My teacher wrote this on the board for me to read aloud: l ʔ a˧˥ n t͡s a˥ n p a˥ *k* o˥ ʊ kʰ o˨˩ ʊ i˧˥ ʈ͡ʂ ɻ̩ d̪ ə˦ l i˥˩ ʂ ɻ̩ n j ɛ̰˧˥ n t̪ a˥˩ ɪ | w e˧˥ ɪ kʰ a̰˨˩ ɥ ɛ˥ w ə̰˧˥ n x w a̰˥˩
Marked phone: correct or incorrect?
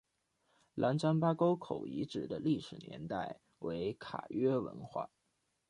correct